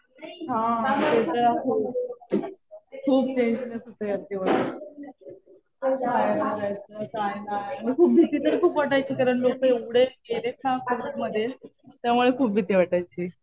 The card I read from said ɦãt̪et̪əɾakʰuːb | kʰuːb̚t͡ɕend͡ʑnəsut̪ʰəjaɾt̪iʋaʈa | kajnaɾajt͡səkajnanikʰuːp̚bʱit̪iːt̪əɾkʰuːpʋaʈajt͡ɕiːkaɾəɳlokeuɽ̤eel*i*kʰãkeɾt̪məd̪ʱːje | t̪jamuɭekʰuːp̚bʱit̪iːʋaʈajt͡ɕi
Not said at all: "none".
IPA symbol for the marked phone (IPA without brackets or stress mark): e